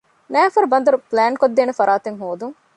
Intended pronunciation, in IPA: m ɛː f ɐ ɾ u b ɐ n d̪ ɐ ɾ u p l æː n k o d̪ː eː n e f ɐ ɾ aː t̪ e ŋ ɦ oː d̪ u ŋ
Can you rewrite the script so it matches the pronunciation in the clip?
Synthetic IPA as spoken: n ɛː f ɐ ɾ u b ɐ n d̪ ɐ ɾ u p l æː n k o d̪ː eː n e f ɐ ɾ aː t̪ e ŋ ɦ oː d̪ u ŋ